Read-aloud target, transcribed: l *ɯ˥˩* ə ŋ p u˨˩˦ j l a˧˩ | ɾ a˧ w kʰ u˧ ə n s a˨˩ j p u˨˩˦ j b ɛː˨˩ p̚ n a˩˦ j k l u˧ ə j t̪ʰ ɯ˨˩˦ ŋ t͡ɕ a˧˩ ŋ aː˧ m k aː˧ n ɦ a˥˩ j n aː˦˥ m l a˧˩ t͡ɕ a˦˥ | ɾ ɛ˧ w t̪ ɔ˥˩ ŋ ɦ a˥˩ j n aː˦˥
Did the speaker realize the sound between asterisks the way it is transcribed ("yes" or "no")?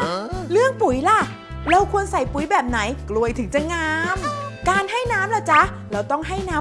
yes